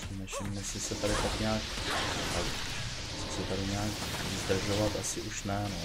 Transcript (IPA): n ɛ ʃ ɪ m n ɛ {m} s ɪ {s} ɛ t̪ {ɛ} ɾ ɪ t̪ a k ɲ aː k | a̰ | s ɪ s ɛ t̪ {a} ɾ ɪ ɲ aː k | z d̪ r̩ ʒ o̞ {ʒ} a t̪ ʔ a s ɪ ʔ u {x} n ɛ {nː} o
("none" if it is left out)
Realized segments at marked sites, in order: none, s, a, a, v, ʃ, n

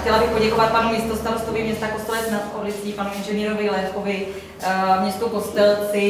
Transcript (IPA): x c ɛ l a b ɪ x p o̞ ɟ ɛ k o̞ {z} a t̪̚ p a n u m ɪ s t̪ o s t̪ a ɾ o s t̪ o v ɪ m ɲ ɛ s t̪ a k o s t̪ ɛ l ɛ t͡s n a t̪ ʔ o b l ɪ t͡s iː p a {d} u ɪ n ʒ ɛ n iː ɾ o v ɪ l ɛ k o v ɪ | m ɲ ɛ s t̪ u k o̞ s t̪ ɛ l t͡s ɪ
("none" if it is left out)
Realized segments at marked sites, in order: v, n

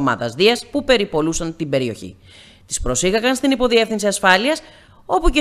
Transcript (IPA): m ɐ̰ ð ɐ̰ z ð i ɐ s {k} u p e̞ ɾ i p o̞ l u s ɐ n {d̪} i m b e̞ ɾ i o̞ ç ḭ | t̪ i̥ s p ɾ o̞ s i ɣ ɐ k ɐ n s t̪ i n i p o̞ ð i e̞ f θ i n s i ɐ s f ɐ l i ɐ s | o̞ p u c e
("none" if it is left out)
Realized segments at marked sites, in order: p, t̪

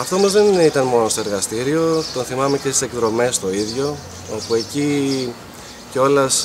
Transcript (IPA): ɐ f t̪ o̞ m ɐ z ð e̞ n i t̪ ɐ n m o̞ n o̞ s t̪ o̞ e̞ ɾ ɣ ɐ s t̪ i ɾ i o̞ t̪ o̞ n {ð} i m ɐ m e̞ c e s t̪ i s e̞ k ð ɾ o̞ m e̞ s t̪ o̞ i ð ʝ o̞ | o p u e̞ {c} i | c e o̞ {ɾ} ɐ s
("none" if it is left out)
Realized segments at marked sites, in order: θ, c, l

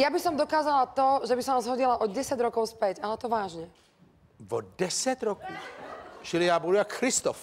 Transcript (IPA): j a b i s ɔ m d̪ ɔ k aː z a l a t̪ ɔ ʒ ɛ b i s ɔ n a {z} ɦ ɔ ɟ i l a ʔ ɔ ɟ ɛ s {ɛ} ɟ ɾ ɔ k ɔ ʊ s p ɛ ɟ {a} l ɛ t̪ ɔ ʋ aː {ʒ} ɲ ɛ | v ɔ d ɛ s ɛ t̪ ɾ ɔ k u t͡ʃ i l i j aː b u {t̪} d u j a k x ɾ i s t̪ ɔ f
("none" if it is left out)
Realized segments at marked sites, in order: z, a, a, ʒ, none

